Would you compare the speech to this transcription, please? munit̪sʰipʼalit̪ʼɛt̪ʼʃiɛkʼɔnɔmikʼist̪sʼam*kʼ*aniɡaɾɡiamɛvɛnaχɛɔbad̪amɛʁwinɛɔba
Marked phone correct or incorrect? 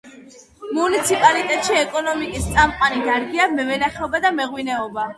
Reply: incorrect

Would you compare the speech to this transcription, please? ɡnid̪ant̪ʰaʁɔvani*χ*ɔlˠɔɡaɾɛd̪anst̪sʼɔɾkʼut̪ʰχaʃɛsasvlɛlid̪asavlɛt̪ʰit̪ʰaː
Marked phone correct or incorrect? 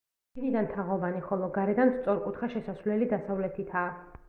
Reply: correct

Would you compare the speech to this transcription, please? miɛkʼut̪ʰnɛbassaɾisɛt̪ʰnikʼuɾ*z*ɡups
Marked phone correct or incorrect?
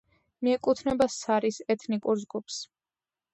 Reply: correct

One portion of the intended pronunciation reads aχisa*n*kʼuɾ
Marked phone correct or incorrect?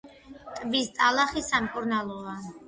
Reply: incorrect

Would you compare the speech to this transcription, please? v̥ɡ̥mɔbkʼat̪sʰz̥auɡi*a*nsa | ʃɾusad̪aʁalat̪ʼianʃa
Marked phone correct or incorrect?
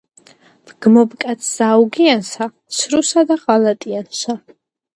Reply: correct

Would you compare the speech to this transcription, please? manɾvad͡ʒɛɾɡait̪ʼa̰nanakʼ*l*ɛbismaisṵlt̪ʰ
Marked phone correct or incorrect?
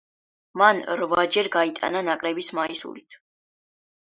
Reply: incorrect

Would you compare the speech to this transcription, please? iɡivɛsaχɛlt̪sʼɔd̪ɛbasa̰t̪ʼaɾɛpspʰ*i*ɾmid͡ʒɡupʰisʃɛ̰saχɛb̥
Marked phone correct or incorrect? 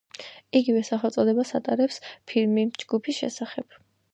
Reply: correct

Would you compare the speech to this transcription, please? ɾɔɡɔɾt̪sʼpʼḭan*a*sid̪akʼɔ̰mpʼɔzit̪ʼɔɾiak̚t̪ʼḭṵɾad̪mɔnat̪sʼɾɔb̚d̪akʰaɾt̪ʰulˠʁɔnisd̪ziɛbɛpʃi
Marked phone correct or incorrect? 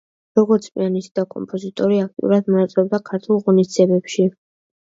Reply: incorrect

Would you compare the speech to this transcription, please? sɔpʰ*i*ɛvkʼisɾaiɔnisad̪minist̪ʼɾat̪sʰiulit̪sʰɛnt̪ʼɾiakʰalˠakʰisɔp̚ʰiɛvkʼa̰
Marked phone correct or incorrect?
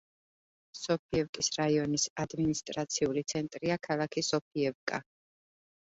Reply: correct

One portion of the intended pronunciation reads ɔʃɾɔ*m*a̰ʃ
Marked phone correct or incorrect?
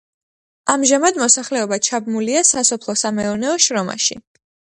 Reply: correct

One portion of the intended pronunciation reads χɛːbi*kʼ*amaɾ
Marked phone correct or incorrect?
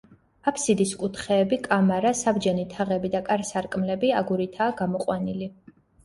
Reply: correct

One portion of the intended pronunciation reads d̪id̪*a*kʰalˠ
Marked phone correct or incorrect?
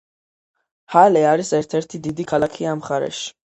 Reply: incorrect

